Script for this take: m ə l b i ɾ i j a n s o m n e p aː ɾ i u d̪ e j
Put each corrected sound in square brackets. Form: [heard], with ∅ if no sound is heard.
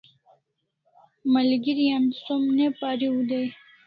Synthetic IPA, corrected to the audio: m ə l [ɡ] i ɾ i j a n s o m n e p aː ɾ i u d̪ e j